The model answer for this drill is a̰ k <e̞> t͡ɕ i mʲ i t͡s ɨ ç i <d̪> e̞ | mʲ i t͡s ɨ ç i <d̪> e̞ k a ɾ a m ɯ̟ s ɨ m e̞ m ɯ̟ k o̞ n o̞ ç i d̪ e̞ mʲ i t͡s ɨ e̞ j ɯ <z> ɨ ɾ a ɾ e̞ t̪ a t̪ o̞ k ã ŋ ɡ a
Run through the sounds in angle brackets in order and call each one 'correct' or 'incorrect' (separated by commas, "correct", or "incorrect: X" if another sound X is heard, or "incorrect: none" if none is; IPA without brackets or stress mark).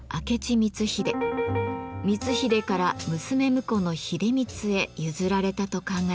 correct, correct, correct, correct